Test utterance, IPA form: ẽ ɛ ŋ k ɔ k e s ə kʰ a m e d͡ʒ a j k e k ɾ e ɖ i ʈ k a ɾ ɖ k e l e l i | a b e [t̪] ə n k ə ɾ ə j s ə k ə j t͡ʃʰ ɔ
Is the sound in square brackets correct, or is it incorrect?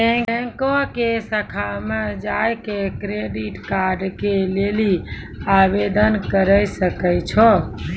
incorrect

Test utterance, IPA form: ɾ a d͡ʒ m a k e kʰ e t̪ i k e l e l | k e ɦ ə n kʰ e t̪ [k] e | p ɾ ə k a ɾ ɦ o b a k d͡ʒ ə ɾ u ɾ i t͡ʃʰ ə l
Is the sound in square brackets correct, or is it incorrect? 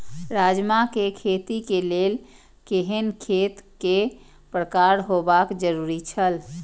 correct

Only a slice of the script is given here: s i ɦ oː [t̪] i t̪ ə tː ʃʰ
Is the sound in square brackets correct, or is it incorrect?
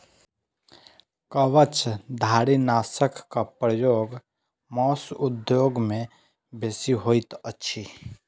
incorrect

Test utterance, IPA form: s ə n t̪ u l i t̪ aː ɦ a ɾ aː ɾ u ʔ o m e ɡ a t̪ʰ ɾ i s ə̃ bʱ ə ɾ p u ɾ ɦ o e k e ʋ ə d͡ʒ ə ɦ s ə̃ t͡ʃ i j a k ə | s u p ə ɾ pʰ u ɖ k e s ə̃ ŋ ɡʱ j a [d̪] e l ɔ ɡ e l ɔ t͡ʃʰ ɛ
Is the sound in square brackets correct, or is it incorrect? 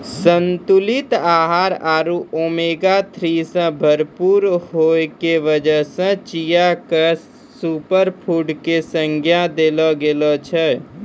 correct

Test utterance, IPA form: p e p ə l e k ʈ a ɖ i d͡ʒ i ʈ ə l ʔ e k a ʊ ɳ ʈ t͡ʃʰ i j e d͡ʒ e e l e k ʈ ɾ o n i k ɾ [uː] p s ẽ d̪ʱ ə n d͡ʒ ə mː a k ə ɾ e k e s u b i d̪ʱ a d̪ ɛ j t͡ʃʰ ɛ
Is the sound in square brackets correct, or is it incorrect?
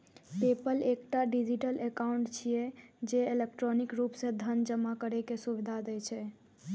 incorrect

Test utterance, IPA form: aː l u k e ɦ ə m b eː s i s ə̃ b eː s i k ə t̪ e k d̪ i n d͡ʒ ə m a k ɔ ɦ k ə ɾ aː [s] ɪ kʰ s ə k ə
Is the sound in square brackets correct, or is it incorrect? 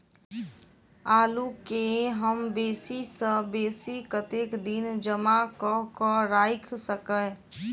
incorrect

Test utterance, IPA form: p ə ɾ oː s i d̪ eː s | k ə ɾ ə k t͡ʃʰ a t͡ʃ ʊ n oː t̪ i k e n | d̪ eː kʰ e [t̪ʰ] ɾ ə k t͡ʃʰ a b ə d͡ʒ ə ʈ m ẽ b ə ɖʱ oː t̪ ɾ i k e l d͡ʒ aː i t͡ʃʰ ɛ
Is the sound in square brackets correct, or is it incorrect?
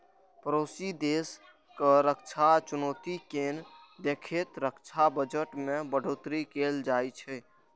incorrect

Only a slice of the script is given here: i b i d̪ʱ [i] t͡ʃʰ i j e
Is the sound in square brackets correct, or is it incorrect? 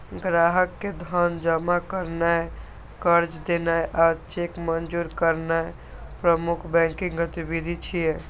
correct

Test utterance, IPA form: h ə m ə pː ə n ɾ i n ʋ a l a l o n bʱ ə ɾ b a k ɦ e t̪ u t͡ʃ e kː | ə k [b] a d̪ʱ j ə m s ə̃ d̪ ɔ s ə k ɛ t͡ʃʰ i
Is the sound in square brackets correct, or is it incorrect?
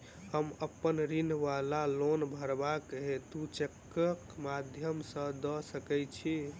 incorrect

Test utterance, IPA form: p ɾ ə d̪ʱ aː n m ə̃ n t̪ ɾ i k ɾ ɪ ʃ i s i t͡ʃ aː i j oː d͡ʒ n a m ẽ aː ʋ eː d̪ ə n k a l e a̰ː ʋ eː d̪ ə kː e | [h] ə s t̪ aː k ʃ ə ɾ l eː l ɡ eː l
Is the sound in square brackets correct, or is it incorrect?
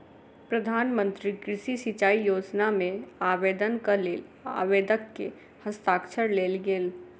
correct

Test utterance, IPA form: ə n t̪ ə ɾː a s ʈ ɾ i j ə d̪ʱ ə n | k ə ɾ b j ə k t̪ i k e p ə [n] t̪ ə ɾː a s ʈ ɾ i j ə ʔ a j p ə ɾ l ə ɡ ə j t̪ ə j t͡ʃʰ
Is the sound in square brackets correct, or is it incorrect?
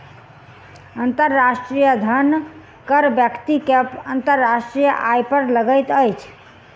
correct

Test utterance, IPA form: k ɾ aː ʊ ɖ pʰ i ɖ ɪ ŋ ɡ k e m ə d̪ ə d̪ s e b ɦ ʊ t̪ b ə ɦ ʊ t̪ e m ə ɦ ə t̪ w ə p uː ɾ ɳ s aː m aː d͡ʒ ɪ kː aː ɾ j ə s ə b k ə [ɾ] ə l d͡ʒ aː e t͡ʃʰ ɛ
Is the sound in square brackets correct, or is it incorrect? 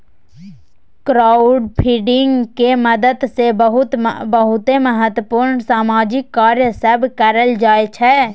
correct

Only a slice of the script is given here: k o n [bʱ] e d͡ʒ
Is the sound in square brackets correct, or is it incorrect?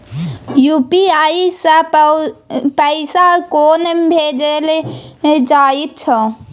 correct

